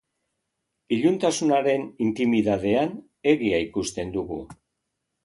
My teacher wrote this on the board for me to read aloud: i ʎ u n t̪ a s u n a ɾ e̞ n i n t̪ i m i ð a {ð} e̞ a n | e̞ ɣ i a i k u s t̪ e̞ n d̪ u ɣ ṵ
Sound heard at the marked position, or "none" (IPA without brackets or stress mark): ð